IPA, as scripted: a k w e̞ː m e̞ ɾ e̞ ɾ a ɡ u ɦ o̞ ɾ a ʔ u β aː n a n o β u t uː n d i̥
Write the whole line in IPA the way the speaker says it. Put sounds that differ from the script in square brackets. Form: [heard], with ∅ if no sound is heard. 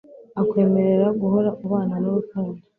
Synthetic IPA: a k w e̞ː m e̞ ɾ e̞ ɾ a ɡ u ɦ o̞ ɾ a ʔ u β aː n a n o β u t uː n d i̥